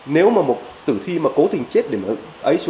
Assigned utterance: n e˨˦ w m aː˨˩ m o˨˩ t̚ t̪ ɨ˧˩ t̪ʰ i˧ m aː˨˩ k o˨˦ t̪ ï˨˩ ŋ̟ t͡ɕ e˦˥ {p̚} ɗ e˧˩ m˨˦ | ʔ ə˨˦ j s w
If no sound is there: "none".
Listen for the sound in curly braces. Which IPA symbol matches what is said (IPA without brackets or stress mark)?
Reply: t̚